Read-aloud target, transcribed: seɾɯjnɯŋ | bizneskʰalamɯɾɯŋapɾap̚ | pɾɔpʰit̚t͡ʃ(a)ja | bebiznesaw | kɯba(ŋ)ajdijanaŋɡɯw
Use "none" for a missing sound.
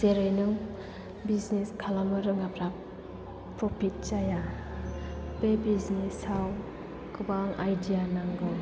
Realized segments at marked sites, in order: a, ŋ

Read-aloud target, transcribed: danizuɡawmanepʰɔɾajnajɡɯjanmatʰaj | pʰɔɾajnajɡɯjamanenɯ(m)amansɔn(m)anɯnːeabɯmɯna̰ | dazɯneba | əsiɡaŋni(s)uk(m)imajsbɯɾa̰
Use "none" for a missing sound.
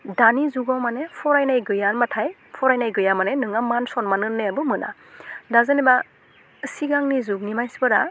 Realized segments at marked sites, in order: ŋ, m, z, n

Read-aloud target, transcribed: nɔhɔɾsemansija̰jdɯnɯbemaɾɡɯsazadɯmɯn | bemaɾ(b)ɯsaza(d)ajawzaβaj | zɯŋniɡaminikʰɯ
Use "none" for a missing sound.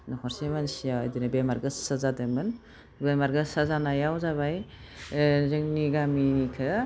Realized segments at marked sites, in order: ɡ, n

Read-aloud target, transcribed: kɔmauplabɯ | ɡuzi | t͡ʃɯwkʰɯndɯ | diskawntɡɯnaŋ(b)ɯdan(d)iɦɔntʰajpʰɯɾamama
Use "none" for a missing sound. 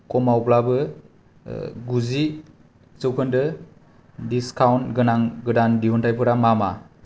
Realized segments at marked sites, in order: ɡ, d

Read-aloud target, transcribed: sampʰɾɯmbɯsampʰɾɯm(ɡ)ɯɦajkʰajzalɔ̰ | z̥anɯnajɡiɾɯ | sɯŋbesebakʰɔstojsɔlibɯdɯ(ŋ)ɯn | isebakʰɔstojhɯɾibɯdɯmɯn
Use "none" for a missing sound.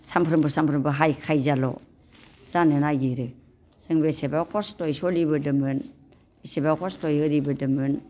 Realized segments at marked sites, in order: b, m

